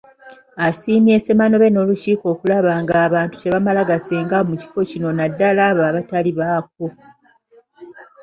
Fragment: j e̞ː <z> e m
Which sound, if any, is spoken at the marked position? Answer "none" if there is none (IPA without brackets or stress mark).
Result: s